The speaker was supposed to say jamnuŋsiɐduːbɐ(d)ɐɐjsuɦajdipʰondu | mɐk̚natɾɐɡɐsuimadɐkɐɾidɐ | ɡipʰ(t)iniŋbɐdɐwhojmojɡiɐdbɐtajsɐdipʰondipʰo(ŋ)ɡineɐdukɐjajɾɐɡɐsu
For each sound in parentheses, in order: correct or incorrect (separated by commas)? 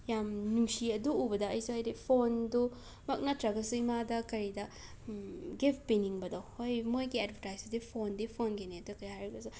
correct, incorrect, incorrect